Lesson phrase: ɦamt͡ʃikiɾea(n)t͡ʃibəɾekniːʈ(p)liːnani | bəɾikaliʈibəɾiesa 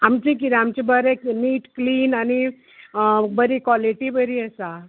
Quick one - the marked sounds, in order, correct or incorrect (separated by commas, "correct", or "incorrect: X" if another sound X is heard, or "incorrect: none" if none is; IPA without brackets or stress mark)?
incorrect: m, incorrect: k